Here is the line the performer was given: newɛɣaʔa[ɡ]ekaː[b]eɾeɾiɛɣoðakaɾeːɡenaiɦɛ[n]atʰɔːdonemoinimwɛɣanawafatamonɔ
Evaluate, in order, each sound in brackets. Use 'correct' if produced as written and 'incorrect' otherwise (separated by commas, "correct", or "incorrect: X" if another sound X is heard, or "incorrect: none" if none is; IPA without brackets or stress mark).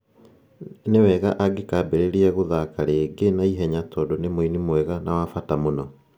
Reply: correct, correct, incorrect: ɲ